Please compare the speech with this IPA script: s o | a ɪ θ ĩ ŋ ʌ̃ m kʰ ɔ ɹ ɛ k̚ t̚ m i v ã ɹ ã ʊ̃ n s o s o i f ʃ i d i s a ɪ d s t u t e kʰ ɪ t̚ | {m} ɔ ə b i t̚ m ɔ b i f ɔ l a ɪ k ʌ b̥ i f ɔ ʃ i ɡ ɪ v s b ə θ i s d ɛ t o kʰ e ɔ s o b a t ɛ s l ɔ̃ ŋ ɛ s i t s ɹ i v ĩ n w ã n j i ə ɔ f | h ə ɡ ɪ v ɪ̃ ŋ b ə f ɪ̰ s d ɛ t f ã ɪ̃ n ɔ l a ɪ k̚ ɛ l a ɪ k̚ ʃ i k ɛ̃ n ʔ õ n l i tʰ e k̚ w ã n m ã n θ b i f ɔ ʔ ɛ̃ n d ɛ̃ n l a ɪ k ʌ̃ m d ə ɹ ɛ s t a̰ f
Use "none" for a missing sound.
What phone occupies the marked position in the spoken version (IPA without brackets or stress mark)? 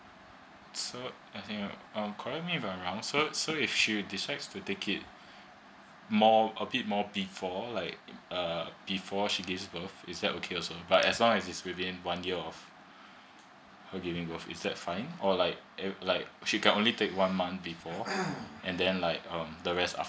m